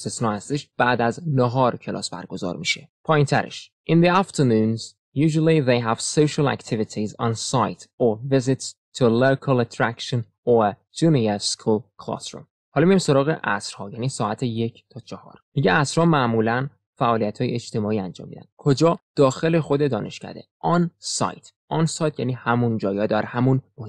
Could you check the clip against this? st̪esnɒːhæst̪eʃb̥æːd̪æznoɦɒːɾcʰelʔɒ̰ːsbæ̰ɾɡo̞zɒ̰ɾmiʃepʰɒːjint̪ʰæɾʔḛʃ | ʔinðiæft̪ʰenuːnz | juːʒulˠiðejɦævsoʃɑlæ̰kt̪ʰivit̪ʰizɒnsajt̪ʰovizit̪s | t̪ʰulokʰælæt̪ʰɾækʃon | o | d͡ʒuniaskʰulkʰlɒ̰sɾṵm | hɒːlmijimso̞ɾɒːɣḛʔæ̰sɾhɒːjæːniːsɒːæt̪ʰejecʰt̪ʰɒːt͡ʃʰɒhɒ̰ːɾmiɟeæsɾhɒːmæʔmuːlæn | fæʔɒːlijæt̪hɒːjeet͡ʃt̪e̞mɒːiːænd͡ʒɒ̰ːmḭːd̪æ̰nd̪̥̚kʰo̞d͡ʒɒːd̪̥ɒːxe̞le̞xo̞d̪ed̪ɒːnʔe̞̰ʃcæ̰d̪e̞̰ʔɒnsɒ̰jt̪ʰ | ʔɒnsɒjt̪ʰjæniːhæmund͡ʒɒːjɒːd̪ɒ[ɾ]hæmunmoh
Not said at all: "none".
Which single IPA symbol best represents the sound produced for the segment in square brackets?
ɾ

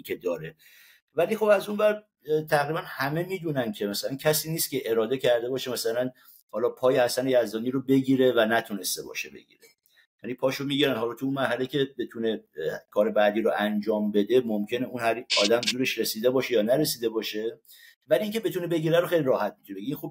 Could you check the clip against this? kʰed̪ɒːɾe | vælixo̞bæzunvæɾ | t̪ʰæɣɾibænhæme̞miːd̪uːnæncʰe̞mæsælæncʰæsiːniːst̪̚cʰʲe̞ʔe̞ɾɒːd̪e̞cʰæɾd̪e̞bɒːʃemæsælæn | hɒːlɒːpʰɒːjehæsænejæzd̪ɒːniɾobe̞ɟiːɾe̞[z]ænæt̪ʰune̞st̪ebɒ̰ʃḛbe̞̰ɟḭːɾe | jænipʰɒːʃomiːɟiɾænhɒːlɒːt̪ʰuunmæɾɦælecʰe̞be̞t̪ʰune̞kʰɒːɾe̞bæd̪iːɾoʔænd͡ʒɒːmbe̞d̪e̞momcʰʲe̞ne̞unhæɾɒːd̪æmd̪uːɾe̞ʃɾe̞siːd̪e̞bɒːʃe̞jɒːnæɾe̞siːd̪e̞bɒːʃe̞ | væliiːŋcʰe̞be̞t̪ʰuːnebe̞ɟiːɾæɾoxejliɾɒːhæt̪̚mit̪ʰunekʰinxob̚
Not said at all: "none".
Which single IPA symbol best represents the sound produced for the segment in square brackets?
v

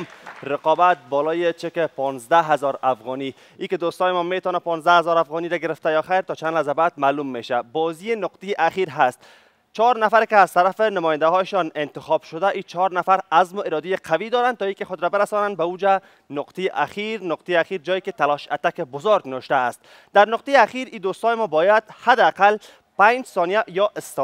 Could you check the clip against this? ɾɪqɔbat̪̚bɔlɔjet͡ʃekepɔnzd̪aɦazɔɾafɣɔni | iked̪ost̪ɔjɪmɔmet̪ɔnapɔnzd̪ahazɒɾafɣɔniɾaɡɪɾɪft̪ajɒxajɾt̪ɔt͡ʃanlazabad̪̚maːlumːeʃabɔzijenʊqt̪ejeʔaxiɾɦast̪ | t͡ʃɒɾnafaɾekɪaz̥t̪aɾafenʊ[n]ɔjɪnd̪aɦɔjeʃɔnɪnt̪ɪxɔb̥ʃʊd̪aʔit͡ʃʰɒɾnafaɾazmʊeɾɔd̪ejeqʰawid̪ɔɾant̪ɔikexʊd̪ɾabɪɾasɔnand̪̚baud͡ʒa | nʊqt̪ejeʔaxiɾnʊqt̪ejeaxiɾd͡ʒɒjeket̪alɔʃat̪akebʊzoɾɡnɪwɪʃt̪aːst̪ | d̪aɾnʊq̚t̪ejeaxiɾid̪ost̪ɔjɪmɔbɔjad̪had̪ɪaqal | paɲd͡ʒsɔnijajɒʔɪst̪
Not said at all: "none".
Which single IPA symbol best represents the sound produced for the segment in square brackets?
m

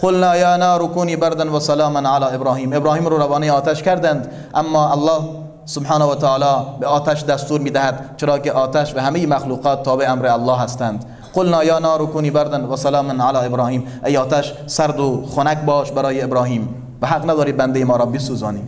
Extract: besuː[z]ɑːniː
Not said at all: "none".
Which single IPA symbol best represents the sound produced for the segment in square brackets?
z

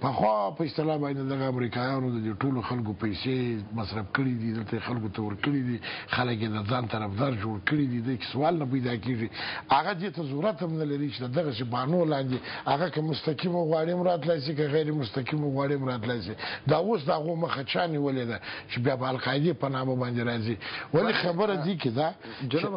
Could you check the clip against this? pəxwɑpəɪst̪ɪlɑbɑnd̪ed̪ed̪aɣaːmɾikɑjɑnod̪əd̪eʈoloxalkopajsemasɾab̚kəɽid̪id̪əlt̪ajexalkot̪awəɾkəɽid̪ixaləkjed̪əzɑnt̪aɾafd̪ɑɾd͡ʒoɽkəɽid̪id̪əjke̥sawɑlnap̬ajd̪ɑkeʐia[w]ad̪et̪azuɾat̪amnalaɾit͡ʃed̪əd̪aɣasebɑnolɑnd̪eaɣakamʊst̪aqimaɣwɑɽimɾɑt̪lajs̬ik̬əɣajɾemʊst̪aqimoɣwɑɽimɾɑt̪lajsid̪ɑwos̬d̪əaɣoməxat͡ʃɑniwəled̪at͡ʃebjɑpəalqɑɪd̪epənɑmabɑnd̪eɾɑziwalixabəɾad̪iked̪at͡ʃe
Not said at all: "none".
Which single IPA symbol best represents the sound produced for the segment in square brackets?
ɣ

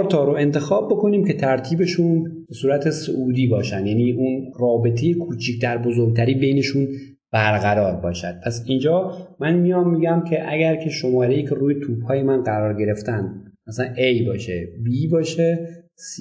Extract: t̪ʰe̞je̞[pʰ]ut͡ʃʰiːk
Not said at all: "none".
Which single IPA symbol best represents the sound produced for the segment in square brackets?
kʰ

